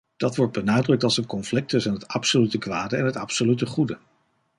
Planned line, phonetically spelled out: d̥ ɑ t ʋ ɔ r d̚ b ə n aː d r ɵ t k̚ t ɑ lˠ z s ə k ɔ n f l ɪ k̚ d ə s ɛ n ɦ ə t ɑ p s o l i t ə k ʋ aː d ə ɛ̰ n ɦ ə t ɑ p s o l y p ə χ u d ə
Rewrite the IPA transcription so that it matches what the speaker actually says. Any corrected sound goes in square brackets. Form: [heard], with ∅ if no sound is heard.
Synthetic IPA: d̥ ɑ t ʋ ɔ [ɹ] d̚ b ə n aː d r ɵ [∅] k̚ t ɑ lˠ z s ə k ɔ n f l ɪ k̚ [t] ə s ɛ n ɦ ə t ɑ p s o l [y] t ə k ʋ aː d ə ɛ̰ n ɦ ə t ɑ p s o l y [t] ə χ u d ə

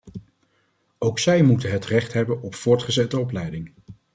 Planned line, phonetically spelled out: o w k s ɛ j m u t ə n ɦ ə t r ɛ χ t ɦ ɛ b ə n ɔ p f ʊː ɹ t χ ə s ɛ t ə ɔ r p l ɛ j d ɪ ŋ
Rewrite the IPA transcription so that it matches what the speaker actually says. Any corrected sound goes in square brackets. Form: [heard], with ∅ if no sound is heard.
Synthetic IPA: o w k s ɛ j m u t ə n ɦ ə t r ɛ χ t ɦ ɛ b ə n ɔ p f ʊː ɹ t χ ə [z] ɛ t ə ɔ [∅] p l ɛ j d ɪ ŋ

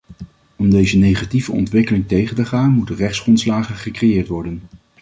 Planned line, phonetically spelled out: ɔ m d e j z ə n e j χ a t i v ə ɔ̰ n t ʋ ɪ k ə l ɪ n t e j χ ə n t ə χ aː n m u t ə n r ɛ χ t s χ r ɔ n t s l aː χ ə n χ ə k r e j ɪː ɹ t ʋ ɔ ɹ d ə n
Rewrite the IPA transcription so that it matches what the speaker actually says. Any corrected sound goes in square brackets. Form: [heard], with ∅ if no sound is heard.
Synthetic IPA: ɔ m d e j z ə n e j χ a t i v ə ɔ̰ n t ʋ ɪ k ə l ɪ [ŋ] t e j χ ə n t ə χ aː n m u t ə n r ɛ χ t s χ r ɔ n t s l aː χ ə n χ ə k r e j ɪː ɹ t ʋ ɔ ɹ d ə n

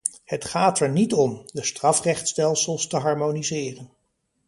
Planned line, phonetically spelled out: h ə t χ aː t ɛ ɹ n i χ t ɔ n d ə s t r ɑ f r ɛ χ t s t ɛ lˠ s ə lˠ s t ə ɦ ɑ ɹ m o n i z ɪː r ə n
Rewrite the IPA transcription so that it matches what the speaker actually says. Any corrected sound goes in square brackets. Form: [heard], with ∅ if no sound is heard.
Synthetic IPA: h ə t χ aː t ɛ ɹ n i [∅] t ɔ [m] d ə s t r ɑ f r ɛ χ t s t ɛ lˠ s ə lˠ s t ə ɦ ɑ ɹ m o n i z ɪː r ə n

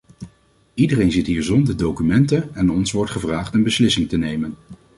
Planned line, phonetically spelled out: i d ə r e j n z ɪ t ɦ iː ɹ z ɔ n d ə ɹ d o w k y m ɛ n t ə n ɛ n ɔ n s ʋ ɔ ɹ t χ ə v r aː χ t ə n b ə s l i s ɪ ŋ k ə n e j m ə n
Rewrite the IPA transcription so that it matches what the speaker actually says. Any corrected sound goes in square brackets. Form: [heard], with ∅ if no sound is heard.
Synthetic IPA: i d ə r e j n z ɪ t ɦ iː ɹ z ɔ n d ə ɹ d o w k y m ɛ n t ə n ɛ n ɔ n s ʋ ɔ ɹ t χ ə v r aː χ t ə n b ə s l [ɪ] s ɪ ŋ [t] ə n e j m ə n

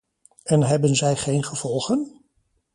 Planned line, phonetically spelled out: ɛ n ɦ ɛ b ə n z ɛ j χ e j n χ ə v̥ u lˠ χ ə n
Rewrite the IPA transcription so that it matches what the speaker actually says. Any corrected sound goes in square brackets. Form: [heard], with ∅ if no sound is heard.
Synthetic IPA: ɛ n ɦ ɛ b ə n z ɛ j χ e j n χ ə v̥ [ɔ] lˠ χ ə n

